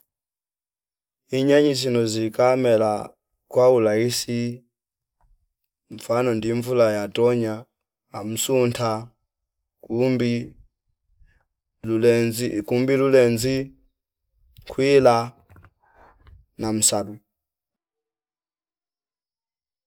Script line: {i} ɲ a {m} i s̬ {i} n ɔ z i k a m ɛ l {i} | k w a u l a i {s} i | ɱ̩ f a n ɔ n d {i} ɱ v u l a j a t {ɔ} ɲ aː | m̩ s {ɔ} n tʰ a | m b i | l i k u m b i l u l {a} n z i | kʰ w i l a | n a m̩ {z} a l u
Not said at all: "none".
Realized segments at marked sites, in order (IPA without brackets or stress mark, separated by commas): i, ɲ, i, a, s, i, ɔ, u, ɛ, s